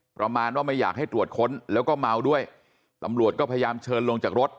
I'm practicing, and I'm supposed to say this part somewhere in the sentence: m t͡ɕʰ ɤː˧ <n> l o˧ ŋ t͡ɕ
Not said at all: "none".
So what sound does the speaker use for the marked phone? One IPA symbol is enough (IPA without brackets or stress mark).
n